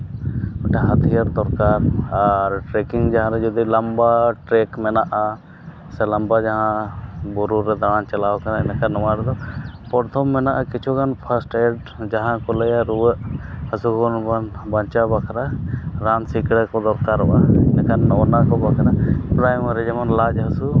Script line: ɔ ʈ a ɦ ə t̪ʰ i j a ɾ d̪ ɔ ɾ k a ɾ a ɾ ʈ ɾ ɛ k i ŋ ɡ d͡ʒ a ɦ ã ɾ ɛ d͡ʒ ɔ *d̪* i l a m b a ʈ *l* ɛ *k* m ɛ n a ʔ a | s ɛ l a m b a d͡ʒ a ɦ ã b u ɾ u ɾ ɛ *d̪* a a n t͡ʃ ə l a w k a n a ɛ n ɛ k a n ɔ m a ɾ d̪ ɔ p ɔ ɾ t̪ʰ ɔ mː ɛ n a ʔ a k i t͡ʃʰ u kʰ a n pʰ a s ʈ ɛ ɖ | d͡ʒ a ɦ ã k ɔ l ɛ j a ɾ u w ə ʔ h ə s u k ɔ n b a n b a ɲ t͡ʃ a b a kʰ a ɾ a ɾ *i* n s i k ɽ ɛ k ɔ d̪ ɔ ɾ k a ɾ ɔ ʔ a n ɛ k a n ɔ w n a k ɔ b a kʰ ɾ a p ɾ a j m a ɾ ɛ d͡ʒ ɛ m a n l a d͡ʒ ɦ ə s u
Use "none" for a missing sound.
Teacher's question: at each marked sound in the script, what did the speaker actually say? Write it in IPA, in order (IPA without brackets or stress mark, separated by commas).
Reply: d̪, ɾ, k, d̪, a